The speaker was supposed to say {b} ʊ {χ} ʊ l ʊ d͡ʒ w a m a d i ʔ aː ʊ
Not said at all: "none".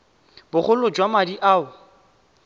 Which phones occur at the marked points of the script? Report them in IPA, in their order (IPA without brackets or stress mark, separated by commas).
b, χ